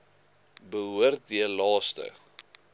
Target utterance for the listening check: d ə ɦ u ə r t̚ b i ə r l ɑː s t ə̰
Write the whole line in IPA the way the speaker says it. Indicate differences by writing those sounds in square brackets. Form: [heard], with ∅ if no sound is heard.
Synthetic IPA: [b] ə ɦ u ə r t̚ [d] i ə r l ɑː s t ə̰